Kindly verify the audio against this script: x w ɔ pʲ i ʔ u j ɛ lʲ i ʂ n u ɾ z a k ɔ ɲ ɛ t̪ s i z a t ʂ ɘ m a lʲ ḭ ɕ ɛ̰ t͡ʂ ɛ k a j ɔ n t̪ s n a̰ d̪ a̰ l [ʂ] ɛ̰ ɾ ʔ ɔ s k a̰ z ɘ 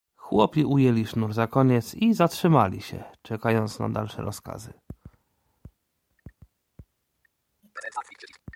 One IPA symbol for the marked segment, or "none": ʂ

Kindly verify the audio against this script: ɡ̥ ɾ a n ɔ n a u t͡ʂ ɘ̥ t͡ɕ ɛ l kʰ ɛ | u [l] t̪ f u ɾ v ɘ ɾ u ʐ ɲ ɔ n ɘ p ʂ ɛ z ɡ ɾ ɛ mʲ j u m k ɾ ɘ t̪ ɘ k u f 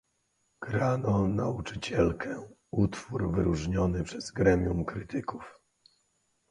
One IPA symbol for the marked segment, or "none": none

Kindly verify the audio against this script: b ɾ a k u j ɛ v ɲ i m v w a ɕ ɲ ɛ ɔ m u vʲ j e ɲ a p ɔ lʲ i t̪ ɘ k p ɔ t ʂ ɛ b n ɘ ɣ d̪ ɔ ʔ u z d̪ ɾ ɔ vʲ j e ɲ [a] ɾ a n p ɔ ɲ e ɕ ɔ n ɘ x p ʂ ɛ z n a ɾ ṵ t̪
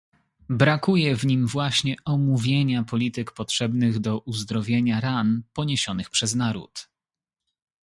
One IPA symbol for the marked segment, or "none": a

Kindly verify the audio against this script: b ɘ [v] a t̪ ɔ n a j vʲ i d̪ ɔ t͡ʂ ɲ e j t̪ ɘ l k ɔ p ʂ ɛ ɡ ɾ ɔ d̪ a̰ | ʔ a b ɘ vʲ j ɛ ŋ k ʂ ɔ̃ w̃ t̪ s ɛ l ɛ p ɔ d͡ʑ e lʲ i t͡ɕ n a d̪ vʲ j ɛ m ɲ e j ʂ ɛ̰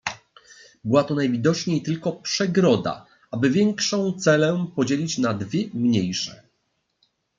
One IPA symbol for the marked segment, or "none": w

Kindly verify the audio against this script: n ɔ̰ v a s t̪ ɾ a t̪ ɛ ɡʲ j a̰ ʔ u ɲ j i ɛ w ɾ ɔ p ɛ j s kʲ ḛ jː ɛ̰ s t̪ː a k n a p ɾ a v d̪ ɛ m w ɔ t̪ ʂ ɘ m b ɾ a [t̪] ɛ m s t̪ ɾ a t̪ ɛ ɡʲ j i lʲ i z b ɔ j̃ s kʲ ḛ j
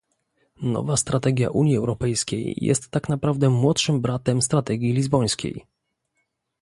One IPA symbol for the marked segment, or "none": t̪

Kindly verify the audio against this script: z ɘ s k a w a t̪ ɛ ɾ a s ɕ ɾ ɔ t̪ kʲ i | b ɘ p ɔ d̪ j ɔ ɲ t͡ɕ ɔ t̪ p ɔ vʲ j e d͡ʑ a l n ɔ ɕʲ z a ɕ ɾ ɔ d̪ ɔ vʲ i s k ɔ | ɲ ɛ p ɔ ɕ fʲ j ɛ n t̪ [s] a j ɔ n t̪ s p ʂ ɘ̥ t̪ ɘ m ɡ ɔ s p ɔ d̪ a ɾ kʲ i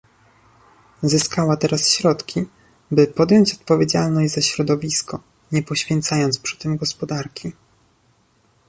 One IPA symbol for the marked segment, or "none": s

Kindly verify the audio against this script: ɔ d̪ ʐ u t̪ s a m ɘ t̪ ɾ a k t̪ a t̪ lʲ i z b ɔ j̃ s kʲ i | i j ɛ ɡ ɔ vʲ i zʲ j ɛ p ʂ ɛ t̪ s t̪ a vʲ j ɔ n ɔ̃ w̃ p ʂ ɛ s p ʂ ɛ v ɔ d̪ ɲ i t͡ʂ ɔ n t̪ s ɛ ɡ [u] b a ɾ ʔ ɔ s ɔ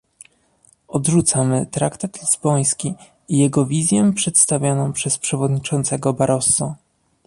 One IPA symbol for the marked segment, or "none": ɔ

